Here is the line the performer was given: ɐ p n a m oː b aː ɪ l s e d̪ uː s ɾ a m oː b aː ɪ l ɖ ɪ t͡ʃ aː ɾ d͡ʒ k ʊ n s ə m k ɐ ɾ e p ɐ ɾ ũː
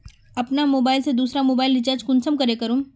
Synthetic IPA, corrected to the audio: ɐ p n a m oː b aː ɪ l s e d̪ uː s ɾ a m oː b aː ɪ l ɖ ɪ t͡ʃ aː ɾ d͡ʒ k ʊ n s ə m k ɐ ɾ e k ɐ ɾ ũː